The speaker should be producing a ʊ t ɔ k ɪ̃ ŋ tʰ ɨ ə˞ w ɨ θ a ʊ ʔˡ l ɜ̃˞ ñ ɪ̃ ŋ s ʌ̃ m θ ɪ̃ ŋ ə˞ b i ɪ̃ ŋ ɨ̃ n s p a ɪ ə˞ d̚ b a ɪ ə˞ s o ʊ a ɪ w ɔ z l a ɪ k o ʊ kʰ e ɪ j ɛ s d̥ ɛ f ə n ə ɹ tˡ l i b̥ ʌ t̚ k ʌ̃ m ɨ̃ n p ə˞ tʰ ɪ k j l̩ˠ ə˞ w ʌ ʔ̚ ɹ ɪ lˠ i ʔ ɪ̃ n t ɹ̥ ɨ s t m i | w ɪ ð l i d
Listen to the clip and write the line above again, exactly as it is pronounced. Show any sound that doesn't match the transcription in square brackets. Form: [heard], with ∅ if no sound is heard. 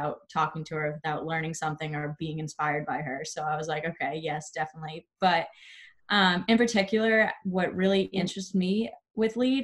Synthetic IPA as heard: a ʊ [tʰ] ɔ k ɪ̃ ŋ tʰ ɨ ə˞ w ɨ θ a ʊ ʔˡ l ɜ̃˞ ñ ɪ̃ ŋ s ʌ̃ m θ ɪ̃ ŋ ə˞ b i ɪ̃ ŋ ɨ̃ n s p a ɪ ə˞ d̚ b a ɪ ə˞ s o ʊ a ɪ w [ʌ] z l a ɪ k o ʊ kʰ e ɪ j ɛ s d̥ ɛ f ə n ə [∅] tˡ l i b̥ ʌ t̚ [ʔ] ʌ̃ m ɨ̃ n p ə˞ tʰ ɪ k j l̩ˠ ə˞ w ʌ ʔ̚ ɹ ɪ lˠ i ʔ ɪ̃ n [t͡ʃ] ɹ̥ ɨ s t m i | w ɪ ð l i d